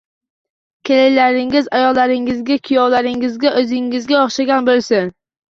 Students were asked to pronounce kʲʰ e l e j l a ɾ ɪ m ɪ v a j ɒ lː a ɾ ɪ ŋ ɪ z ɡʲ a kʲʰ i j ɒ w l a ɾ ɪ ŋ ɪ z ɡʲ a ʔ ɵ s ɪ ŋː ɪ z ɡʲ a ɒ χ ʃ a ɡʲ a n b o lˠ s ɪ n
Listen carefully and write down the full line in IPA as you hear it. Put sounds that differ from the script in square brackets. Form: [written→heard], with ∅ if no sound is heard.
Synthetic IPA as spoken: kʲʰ e l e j l a ɾ ɪ [m→ŋ] ɪ [v→z] a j ɒ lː a ɾ ɪ ŋ ɪ z ɡʲ a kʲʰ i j ɒ w l a ɾ ɪ ŋ ɪ z ɡʲ a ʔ ɵ [s→z] ɪ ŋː ɪ z ɡʲ a ɒ χ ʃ a ɡʲ a n b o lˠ s ɪ n